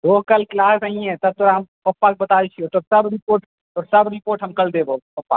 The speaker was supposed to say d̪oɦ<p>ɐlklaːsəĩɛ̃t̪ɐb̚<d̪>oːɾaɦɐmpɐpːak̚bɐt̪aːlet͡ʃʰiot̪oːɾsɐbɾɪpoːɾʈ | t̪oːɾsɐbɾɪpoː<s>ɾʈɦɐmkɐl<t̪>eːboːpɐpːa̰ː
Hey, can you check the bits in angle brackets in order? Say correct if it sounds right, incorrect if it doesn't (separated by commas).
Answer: incorrect, incorrect, incorrect, incorrect